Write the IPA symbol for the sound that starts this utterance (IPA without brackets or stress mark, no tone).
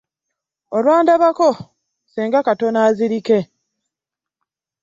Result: o